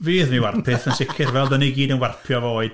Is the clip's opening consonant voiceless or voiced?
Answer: voiced